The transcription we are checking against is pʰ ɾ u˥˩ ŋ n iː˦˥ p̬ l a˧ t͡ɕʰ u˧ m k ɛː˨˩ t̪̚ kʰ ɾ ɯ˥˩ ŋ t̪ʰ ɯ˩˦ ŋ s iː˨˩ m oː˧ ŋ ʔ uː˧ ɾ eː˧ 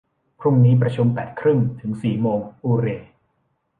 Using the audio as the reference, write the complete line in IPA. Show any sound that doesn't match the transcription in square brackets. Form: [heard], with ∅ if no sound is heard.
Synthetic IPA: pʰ ɾ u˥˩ ŋ n iː˦˥ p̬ [ɾ] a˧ t͡ɕʰ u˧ m [p] ɛː˨˩ t̪̚ kʰ ɾ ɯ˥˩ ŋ t̪ʰ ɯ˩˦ ŋ s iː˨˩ m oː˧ ŋ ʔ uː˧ ɾ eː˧